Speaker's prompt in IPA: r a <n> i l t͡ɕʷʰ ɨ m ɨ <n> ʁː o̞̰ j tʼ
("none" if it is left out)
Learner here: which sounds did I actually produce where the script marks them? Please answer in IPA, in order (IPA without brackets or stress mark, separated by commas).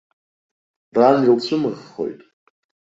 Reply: n, none